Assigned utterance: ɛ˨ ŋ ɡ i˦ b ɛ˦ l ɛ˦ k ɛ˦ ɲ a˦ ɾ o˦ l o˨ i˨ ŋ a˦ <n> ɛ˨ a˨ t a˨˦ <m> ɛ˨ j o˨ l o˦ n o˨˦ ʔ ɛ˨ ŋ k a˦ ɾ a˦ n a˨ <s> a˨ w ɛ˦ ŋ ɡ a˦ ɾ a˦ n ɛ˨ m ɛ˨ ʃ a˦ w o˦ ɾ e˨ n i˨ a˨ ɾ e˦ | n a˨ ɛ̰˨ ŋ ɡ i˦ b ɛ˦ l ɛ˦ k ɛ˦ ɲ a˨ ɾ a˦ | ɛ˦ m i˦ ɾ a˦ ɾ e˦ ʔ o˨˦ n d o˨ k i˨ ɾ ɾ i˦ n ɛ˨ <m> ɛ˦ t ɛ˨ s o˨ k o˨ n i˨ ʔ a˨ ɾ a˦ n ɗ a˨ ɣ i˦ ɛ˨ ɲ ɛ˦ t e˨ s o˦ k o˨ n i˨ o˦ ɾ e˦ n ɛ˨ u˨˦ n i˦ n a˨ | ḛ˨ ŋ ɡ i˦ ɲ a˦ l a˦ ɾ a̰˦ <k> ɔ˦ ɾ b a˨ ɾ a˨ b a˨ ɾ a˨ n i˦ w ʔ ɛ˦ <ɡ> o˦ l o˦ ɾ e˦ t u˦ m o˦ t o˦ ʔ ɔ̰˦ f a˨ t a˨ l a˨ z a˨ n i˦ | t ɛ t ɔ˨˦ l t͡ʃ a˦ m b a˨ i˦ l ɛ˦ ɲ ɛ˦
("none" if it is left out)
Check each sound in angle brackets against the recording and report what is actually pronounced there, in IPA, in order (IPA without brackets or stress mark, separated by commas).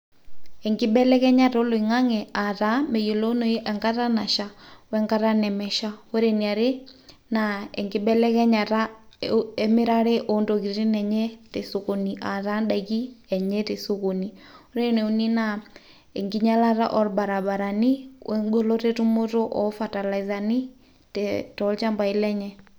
ŋ, m, ʃ, ɲ, ʔ, ɡ